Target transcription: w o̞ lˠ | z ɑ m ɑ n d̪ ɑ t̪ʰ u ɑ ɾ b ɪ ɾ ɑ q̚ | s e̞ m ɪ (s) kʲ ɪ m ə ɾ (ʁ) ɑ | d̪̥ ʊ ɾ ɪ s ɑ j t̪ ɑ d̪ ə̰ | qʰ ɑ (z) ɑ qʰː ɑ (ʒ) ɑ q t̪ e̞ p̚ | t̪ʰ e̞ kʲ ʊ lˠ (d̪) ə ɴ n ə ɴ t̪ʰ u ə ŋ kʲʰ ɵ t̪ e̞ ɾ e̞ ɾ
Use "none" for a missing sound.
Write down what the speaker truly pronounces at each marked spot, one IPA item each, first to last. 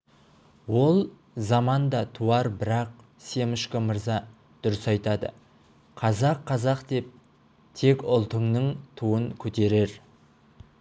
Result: ʃ, z, z, z, t̪

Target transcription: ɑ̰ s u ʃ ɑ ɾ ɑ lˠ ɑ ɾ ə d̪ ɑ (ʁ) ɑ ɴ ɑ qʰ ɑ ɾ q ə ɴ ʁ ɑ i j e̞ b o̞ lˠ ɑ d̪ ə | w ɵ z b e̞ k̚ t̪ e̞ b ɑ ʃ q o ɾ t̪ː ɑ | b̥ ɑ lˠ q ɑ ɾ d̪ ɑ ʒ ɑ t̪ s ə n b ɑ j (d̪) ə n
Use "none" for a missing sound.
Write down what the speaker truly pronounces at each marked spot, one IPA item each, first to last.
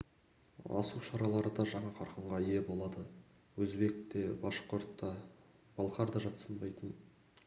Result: ʒ, t̪

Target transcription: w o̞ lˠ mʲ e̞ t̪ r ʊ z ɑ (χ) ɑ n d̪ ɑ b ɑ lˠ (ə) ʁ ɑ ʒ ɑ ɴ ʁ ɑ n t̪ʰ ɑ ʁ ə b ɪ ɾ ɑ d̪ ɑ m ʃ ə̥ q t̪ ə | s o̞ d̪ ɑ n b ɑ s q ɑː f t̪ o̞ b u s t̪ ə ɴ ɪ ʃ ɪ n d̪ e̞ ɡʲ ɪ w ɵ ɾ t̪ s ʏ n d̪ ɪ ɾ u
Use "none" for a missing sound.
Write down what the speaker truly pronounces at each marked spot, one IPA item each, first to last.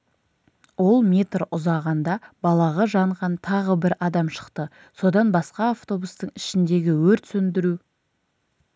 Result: ʁ, ɑ

